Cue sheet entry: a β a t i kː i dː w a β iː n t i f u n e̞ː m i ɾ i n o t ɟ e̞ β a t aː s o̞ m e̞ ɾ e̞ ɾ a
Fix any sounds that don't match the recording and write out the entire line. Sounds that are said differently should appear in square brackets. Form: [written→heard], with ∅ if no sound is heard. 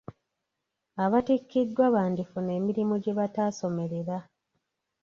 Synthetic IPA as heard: a β a t i kː i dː w a β [iː→aː] n [t→d] i f u n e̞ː m i ɾ i [n→m] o [t→∅] ɟ e̞ β a t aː s o̞ m e̞ ɾ e̞ ɾ a